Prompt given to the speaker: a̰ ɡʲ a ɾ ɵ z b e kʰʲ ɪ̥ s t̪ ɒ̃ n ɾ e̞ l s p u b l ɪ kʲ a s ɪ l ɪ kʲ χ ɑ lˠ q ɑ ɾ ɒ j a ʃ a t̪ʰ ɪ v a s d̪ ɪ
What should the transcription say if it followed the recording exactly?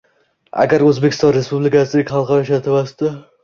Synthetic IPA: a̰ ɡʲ a ɾ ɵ z b e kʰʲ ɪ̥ s t̪ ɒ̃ n ɾ e̞ s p u b l ɪ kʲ a s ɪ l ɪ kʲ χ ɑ lˠ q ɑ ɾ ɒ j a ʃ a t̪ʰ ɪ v a s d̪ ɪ